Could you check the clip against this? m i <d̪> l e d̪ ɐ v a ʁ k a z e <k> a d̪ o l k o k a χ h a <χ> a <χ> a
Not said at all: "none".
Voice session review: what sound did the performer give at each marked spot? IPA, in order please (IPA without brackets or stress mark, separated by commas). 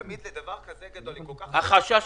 d̪, ɡ, χ, ʃ